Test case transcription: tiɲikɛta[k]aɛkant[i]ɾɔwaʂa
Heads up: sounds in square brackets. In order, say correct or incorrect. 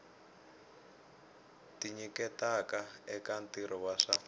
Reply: correct, correct

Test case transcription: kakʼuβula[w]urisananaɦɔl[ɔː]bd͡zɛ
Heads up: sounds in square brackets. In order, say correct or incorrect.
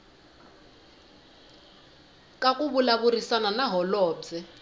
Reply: incorrect: β, correct

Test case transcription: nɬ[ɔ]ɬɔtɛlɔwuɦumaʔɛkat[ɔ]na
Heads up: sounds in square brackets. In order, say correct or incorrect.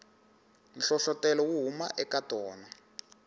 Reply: correct, incorrect: ɔː

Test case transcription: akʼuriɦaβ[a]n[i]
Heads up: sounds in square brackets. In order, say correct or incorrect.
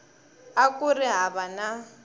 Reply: correct, incorrect: a

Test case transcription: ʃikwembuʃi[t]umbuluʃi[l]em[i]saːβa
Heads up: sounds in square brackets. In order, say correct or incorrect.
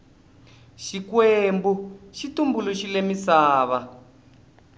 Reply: correct, correct, correct

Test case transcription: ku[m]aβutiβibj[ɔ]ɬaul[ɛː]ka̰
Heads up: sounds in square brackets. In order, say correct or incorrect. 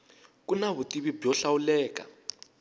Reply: incorrect: n, correct, correct

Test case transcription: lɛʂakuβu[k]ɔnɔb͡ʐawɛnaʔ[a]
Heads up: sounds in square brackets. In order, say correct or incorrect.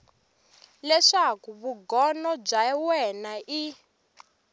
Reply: incorrect: ɡ, incorrect: i

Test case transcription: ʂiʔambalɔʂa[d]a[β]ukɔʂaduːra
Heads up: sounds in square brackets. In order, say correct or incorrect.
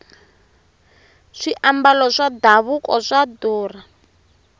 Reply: correct, correct

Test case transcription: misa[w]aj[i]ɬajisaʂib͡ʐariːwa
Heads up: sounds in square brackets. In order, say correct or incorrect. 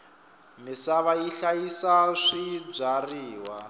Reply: incorrect: β, correct

